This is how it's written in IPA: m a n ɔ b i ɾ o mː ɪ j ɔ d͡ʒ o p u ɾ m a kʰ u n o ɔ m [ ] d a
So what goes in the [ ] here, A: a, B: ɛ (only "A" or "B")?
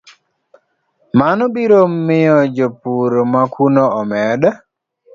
B